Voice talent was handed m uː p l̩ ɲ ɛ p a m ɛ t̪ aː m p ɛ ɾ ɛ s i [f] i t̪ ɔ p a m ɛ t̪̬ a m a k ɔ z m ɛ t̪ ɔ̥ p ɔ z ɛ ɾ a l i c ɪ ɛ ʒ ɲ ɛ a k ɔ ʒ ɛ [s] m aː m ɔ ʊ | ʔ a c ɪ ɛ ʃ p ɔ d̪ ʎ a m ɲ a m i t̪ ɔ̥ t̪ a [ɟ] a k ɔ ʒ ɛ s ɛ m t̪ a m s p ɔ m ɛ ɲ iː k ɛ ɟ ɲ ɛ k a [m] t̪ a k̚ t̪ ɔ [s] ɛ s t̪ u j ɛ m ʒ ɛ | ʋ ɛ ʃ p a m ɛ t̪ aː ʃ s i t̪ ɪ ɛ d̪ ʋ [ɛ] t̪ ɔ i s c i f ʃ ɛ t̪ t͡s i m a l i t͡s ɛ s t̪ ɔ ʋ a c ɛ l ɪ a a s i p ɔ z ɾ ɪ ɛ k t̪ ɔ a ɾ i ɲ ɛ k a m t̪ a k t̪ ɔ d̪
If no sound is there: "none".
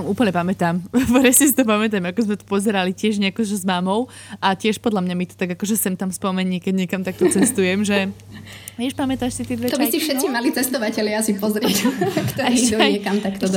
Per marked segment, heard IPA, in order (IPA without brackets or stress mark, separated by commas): s, z, ɡ, m, t͡s, ɛ